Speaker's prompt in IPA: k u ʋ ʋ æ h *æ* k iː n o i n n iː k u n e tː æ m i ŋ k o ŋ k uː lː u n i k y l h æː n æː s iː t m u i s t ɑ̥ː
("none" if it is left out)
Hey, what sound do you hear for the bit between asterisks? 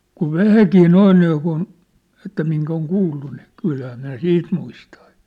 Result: æ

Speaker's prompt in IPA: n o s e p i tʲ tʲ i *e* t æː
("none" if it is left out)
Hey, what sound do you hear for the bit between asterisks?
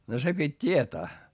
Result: e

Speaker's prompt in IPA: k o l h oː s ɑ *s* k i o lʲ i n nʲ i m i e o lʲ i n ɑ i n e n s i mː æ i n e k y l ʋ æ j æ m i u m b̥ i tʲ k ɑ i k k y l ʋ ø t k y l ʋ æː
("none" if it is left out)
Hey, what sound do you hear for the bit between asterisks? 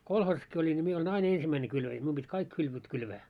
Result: s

